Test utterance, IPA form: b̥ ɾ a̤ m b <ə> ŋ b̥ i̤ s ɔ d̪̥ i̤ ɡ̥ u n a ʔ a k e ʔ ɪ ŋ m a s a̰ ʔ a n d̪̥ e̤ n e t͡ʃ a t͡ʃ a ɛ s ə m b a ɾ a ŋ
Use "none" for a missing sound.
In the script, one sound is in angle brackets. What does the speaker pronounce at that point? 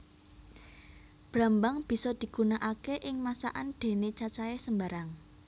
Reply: a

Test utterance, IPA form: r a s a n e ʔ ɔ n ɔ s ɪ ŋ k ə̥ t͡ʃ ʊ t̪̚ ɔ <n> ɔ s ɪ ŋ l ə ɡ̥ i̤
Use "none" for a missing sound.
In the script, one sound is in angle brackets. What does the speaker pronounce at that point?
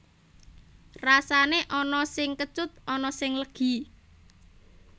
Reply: n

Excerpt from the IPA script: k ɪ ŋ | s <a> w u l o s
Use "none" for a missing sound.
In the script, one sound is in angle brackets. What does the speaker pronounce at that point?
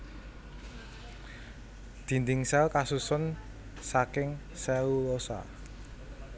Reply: ɛ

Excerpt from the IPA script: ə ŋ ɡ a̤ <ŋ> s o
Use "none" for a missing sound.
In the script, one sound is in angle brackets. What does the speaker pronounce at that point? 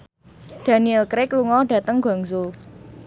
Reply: ŋ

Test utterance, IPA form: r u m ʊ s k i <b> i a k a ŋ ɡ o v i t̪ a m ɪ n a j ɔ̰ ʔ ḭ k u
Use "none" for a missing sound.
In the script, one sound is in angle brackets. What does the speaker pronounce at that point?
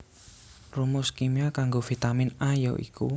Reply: m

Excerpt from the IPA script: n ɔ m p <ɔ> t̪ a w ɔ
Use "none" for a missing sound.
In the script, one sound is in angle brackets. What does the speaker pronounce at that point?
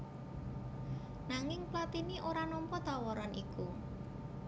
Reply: ɔ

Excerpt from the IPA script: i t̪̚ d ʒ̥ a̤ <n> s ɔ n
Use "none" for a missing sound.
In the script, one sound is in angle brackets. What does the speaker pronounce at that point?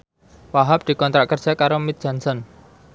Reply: n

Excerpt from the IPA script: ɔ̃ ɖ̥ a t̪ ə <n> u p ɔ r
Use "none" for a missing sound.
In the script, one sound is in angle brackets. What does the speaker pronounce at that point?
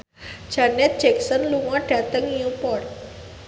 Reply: ŋ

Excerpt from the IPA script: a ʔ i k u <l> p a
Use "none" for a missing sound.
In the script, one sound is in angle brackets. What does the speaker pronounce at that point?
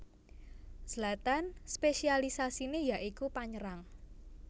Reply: none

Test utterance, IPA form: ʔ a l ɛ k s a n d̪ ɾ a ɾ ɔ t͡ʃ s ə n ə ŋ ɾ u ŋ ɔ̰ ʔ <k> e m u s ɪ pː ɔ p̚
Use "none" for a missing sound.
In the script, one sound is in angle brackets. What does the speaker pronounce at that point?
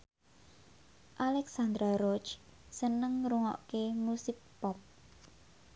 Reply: k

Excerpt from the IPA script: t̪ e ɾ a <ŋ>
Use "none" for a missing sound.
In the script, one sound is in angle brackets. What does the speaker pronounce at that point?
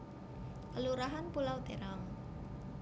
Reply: ŋ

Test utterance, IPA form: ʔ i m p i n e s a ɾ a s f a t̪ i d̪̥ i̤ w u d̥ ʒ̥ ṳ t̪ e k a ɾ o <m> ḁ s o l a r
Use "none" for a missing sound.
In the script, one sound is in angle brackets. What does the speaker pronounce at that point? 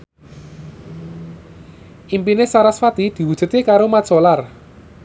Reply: m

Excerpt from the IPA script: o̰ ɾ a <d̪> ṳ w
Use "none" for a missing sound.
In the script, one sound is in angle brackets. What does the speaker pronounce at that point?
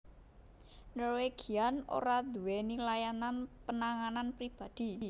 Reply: d̪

